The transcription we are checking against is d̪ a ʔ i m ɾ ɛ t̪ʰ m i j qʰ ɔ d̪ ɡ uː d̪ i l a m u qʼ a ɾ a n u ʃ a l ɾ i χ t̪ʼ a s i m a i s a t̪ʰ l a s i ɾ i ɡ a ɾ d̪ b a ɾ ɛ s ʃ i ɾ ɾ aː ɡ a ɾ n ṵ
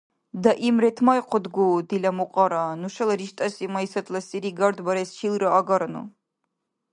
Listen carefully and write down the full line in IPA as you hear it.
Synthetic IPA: d̪ a ʔ i m ɾ ɛ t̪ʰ m a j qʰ ɔ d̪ ɡ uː d̪ i l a m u qʼ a ɾ a n u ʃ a l ɾ i ʃ t̪ʼ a s i m a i s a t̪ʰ l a s i ɾ i ɡ a ɾ d̪ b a ɾ ɛ s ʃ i l ɾ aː ɡ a ɾ n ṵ